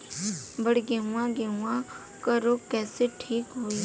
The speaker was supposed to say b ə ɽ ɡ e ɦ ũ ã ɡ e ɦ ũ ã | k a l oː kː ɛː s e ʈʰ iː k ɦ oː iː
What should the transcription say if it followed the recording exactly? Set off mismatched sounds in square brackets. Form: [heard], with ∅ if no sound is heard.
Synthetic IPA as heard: b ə ɽ ɡ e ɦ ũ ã ɡ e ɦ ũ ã | k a [ɾ] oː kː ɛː s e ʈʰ iː k ɦ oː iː